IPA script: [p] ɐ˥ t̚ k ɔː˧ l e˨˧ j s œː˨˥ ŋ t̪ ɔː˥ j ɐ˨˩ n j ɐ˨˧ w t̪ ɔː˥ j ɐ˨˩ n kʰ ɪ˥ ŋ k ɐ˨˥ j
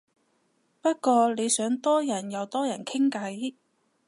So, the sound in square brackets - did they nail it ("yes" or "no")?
yes